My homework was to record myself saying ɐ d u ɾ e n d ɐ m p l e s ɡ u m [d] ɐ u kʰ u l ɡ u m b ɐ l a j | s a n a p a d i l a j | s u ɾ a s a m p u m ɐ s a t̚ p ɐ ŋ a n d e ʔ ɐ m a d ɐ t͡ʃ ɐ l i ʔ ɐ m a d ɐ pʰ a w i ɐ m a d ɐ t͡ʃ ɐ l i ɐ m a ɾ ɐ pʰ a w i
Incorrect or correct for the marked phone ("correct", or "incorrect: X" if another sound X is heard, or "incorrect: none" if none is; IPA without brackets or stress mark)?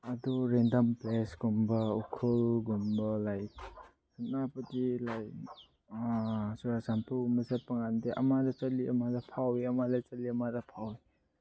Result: incorrect: b